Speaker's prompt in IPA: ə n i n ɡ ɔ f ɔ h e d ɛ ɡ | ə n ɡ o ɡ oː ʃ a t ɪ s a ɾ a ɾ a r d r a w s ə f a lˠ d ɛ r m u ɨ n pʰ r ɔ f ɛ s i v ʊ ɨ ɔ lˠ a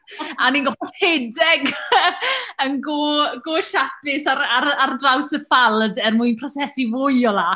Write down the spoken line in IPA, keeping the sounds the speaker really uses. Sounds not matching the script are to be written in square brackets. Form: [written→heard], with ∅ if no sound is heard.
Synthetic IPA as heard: [ə→a] n i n ɡ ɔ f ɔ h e d ɛ ɡ | ə n ɡ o ɡ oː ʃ a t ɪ s a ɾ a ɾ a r d r a w s ə f a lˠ d ɛ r m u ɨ n pʰ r ɔ [f→s] ɛ s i v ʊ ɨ ɔ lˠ a